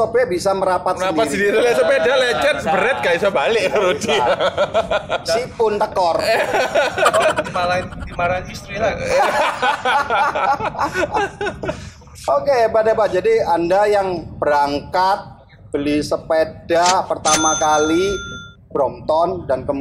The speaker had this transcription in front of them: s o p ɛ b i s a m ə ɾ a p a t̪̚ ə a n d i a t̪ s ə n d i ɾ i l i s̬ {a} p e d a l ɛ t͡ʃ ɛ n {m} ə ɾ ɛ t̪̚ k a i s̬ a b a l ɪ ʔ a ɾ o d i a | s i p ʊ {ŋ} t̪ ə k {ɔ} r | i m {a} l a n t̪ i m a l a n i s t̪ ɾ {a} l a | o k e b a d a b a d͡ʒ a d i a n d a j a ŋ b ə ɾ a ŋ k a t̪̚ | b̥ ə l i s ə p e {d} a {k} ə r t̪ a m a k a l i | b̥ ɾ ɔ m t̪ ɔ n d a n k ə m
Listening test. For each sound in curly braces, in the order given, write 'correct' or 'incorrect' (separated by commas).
incorrect, incorrect, incorrect, correct, correct, incorrect, correct, incorrect